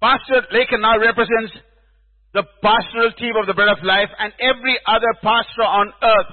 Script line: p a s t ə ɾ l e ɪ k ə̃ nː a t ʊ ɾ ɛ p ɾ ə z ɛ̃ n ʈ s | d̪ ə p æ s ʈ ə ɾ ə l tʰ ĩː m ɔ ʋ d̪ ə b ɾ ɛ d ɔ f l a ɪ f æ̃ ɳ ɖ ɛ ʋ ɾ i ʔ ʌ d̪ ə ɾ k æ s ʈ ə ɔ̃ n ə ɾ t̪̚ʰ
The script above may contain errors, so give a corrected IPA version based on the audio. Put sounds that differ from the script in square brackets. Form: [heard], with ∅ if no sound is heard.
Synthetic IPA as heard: p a s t ə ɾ l e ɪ k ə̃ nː a [∅] ʊ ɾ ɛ p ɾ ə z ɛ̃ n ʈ s | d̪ ə p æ s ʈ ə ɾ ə l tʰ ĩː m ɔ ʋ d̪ ə b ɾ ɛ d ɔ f l a ɪ f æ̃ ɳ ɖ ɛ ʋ ɾ i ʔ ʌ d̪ ə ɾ [p] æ s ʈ ə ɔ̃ n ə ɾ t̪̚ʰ